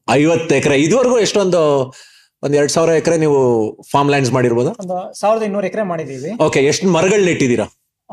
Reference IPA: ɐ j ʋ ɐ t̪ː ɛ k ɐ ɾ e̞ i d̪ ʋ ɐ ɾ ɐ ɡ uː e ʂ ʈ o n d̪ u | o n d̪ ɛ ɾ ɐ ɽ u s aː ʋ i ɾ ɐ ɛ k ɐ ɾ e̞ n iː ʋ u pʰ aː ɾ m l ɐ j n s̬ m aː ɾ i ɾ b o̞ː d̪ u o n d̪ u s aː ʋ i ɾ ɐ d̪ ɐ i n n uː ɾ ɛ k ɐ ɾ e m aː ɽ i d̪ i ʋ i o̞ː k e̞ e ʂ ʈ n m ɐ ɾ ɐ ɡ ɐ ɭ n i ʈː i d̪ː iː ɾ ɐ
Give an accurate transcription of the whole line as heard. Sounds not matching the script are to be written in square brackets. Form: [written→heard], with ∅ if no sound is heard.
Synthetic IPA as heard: ɐ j ʋ ɐ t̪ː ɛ k ɐ ɾ e̞ i d̪ ʋ ɐ ɾ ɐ ɡ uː e ʂ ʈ o n d̪ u | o n d̪ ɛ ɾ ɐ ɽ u s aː ʋ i ɾ ɐ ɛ k ɐ ɾ e̞ n iː ʋ u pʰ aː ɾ m l ɐ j n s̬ m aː [ɾ→ɽ] i ɾ b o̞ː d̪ u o n d̪ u s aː ʋ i ɾ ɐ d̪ ɐ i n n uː ɾ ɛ k ɐ ɾ e m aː ɽ i d̪ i ʋ i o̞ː k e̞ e ʂ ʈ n m ɐ ɾ ɐ ɡ ɐ ɭ n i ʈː i [d̪ː→d̪] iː ɾ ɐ